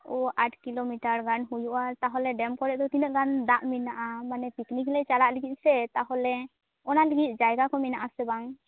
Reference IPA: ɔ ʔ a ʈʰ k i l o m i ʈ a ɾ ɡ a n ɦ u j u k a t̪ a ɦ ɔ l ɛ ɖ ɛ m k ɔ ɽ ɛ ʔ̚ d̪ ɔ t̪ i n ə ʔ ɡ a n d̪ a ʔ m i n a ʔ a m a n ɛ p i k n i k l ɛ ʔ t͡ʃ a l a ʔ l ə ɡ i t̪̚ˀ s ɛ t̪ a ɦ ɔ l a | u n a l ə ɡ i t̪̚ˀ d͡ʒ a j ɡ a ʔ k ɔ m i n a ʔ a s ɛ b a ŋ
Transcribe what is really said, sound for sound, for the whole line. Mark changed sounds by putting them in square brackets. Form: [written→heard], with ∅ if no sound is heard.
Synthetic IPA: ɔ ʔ a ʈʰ k i l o m i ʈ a ɾ ɡ a n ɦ u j u [k→ʔ] a t̪ a ɦ ɔ l ɛ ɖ ɛ m k ɔ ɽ ɛ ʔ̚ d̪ ɔ t̪ i n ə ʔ ɡ a n d̪ a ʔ m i n a ʔ a m a n ɛ p i k n i k l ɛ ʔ t͡ʃ a l a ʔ l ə ɡ i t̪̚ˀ s ɛ t̪ a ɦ ɔ l [a→ɛ] | [u→ɔ] n a l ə ɡ i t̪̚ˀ d͡ʒ a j ɡ a [ʔ→∅] k ɔ m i n a ʔ a s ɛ b a ŋ